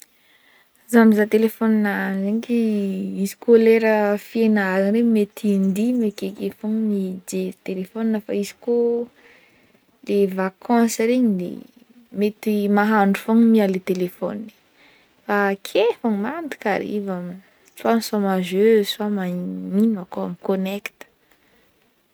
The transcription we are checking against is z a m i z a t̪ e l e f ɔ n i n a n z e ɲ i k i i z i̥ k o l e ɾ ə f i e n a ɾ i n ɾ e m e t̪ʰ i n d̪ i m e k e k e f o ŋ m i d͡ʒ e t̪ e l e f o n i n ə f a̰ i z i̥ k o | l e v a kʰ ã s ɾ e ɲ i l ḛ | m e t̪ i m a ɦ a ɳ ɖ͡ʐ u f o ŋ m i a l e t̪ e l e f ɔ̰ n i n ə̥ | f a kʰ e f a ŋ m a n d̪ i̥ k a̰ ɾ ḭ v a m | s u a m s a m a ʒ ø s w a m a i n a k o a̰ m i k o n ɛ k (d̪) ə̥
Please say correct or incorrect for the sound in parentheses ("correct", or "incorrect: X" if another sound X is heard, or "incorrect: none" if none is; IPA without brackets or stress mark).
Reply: incorrect: t̪